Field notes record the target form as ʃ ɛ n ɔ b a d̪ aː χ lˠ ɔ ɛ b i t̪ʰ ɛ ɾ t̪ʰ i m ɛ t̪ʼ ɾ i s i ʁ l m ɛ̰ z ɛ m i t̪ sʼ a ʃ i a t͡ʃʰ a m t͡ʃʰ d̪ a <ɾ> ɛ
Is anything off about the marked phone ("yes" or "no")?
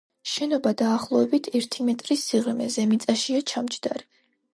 no